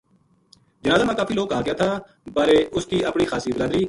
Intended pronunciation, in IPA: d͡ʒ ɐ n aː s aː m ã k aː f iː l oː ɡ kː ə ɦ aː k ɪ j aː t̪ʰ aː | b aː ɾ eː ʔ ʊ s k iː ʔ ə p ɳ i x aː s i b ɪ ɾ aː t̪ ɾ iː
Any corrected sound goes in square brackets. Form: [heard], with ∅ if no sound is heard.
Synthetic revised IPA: d͡ʒ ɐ n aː [z] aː m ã k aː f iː l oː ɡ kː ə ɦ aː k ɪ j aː t̪ʰ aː | b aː ɾ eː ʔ ʊ s k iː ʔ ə p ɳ i x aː s i b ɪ ɾ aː [d̪] ɾ iː